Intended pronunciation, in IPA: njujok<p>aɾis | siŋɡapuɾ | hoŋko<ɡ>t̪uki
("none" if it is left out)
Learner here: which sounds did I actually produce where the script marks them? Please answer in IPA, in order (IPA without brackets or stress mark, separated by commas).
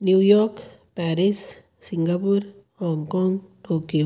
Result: p, ŋ